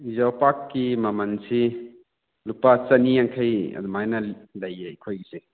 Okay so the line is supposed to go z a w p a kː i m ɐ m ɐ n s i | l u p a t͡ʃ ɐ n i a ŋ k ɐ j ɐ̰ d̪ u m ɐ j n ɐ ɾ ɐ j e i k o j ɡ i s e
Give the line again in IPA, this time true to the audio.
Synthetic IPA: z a w p a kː i m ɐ m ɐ n s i | l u p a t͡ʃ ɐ n i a ŋ kʰ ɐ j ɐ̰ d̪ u m a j n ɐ l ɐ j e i kʰ o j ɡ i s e